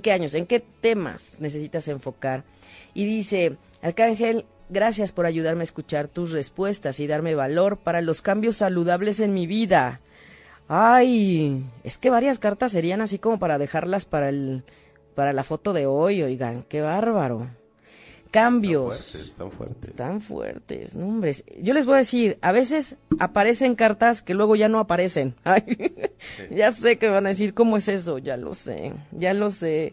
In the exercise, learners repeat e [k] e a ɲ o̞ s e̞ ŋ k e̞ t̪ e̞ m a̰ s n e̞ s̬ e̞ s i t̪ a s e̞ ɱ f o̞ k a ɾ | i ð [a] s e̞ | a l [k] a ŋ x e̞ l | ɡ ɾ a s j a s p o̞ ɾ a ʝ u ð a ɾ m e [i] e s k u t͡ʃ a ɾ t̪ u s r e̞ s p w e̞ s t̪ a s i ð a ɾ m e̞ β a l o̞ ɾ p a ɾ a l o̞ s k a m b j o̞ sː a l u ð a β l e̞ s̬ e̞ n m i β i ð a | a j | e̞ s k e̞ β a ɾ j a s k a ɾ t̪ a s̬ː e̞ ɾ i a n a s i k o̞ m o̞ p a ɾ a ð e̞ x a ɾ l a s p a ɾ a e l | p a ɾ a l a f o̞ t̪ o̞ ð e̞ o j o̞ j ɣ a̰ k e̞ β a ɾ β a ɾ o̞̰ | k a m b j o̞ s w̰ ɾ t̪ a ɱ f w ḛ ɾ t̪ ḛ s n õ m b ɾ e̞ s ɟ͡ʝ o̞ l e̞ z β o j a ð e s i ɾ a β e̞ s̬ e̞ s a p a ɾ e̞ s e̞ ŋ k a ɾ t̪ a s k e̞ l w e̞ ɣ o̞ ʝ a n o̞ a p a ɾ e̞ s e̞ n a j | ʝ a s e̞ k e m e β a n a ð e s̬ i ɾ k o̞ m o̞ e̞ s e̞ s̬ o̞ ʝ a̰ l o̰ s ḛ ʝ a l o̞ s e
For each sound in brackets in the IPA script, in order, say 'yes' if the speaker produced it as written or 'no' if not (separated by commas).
yes, no, yes, no